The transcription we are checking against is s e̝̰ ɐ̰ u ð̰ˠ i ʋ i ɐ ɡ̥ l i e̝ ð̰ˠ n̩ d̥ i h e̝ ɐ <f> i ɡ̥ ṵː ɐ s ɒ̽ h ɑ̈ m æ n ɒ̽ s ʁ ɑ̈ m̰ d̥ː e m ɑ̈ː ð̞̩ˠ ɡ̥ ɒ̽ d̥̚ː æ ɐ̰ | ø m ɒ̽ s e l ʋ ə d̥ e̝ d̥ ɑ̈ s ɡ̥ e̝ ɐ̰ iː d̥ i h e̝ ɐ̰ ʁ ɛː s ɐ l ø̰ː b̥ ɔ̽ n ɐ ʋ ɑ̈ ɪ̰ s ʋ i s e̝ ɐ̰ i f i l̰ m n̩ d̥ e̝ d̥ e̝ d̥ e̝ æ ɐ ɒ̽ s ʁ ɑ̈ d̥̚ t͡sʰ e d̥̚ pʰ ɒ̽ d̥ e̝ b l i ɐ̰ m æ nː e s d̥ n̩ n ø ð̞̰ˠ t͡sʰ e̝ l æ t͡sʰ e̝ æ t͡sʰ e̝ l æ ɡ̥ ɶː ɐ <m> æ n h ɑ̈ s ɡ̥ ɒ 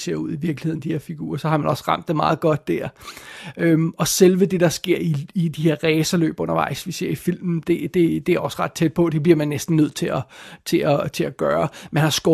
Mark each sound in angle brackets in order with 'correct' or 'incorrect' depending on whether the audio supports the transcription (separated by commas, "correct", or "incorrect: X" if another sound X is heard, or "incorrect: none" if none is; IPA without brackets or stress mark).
correct, correct